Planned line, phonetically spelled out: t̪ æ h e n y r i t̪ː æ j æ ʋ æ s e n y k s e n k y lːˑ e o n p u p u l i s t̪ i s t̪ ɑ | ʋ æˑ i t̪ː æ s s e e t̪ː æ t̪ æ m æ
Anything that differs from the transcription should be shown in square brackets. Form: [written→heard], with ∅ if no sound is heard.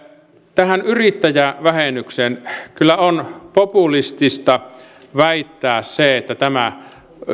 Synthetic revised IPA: t̪ æ h [e→æ] n y r i t̪ː æ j æ ʋ æ [s→h] e n y k s e n k y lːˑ [e→æ] o n p [u→o] p u l i s t̪ i s t̪ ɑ | ʋ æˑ i t̪ː [æ→æː] s s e e t̪ː æ t̪ æ m æ

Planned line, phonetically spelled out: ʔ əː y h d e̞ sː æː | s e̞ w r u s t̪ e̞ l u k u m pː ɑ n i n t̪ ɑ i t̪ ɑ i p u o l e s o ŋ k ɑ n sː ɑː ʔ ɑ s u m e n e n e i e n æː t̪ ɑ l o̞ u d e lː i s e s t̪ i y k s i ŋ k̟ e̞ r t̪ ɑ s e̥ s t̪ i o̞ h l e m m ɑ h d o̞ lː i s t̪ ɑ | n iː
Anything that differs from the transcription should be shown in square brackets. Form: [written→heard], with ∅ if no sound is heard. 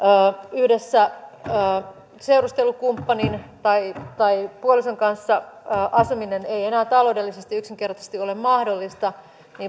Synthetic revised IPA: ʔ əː y h d e̞ sː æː | s e̞ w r u s t̪ e̞ l u k u m pː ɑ n i n t̪ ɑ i t̪ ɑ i p u o l [e→i] s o ŋ k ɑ n sː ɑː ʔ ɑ s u m [e→i] n e n e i e n æː t̪ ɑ l o̞ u d e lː i s e s t̪ i y k s i ŋ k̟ e̞ r t̪ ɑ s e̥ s t̪ i o̞ [h→∅] l e m m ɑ h d o̞ lː i s t̪ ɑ | n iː

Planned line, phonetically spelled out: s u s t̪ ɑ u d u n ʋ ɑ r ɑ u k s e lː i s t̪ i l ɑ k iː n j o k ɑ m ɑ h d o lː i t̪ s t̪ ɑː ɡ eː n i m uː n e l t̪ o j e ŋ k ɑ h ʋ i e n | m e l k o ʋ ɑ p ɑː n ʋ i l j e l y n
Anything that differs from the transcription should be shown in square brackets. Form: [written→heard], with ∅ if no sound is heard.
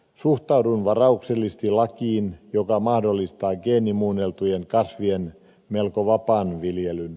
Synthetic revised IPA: s u [s→h] t̪ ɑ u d u n ʋ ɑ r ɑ u k s e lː i s t̪ i l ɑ k iː n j o k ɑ m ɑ h d o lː i [t̪→∅] s t̪ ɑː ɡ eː n i m uː n e l t̪ [o→u] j e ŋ k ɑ [h→s] ʋ i e n | m e l k o ʋ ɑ p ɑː n ʋ i l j e l y n

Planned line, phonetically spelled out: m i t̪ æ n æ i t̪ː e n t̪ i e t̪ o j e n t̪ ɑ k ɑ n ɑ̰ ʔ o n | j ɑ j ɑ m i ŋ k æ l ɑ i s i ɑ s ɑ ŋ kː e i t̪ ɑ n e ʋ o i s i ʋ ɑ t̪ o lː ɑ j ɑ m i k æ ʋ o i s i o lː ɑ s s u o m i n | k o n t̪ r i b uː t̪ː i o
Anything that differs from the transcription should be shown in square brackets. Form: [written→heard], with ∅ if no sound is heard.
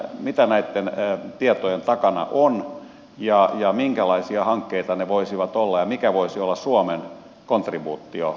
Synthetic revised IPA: m i t̪ æ n æ i t̪ː e n t̪ i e t̪ o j e n t̪ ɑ k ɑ n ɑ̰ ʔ o n | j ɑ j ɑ m i ŋ k æ l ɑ i s i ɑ [s→h] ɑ ŋ kː e i t̪ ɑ n e ʋ o i s i ʋ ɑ t̪ o lː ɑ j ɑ m i k æ ʋ o i s i o lː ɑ s s u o m [i→e] n | k o n t̪ r i b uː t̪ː i o

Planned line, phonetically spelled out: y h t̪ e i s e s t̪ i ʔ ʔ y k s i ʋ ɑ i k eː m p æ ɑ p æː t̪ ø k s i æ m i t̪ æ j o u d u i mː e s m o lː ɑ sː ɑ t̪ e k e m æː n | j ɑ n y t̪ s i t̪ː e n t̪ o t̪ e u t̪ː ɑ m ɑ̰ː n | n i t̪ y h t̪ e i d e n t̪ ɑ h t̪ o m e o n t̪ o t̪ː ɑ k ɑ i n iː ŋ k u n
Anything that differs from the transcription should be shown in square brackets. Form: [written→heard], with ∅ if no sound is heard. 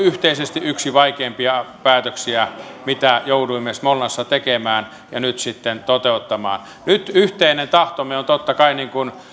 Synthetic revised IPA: y h t̪ e i s e s t̪ i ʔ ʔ y k s i ʋ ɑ i k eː m p [æ→i] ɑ p æː t̪ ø k s i æ m i t̪ æ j o u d u i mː e s m o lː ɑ sː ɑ t̪ e k e m æː n | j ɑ n y t̪ s i t̪ː e n t̪ o t̪ e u t̪ː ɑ m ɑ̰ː n | n [i→y] t̪ y h t̪ e i [d→n] e n t̪ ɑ h t̪ o m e o n t̪ o t̪ː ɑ k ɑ i n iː ŋ k u n

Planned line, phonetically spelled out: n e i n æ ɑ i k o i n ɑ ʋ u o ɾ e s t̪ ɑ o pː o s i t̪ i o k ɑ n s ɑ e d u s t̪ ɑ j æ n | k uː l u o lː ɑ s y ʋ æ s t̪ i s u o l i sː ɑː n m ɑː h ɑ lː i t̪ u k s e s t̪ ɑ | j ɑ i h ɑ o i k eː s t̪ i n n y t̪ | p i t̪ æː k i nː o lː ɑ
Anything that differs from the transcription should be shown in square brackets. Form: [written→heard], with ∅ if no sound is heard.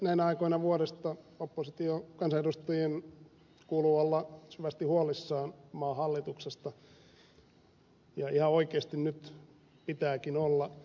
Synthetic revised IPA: n [e→æ] i n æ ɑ i k o i n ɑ ʋ u o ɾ e s t̪ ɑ o pː o s i t̪ i o k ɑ n s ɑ e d u s t̪ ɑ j [æ→e] n | k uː l u o lː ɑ s y ʋ æ s t̪ i [s→h] u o l i sː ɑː n m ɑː h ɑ lː i t̪ u k s e s t̪ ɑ | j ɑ i h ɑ o i k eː s t̪ i n n y t̪ | p i t̪ æː k i [nː→n] o lː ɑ

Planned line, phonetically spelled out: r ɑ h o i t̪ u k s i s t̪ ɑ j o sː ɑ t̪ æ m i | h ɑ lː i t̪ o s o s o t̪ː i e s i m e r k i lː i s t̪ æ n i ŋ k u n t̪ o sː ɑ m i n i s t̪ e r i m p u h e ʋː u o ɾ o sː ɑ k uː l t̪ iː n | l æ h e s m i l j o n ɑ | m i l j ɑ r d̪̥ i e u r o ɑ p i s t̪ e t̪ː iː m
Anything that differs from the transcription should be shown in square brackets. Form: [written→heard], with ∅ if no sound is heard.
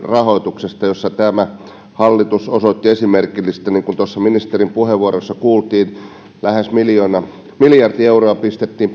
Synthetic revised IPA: r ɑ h o i t̪ u k s [i→e] s t̪ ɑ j o sː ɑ t̪ æ m [i→æ] | h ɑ lː i t̪ [o→u] s o s o t̪ː i e s i m e r k i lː i s t̪ æ n i ŋ k u n t̪ o sː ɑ m i n i s t̪ e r i m p u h e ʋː u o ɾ o sː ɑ k uː l t̪ iː n | l æ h e s m i l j o n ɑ | m i l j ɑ r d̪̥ i e u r o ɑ p i s t̪ e t̪ː iː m

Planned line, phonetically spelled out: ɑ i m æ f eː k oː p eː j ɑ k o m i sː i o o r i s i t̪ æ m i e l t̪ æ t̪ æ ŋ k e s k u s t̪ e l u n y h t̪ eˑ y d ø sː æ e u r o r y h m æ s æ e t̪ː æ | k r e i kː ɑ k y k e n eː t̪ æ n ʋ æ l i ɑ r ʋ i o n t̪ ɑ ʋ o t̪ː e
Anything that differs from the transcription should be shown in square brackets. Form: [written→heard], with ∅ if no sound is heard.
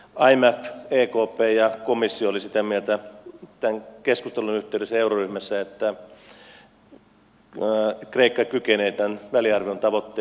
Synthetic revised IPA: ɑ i m æ f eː k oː p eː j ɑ k o m i sː i o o [r→l] i s i t̪ æ m i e l t̪ æ t̪ æ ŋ k e s k u s t̪ e l u n y h t̪ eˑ y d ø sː æ e u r o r y h m æ [s→sː] æ e t̪ː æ | k r e i kː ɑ k y k e n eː t̪ æ n ʋ æ l i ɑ r ʋ i o n t̪ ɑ ʋ o t̪ː e

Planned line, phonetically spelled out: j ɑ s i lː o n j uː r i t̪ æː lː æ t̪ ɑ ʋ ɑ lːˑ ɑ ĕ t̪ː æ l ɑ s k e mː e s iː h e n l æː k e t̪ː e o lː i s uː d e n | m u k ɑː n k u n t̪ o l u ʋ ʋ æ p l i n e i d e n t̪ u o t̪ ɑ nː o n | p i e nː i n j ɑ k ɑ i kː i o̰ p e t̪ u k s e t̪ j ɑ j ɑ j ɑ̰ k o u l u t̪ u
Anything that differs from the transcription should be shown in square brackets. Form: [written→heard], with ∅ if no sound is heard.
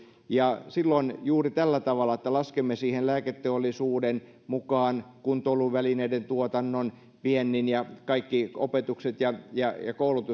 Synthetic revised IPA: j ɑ s i lː o n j uː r i t̪ [æː→æ] lː æ t̪ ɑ ʋ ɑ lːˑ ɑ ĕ t̪ː æ l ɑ s k e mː e s iː h e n l æː k e t̪ː e o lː i s uː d e n | m u k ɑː n k u n t̪ o l u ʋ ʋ æ [p→∅] l i n e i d e n t̪ u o t̪ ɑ nː o n | p i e nː i n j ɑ k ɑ i kː i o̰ p e t̪ u k s e t̪ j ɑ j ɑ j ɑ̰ k o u l u t̪ u

